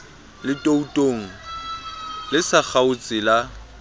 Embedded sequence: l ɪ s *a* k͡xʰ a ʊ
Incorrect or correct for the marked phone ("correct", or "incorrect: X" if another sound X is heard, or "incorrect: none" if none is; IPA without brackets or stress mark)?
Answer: correct